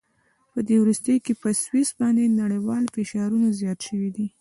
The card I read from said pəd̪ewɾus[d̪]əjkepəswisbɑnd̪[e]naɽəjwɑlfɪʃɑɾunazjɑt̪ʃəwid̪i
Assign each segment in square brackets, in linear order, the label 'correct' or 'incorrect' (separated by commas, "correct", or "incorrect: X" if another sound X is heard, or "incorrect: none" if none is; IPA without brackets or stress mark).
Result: incorrect: t̪, correct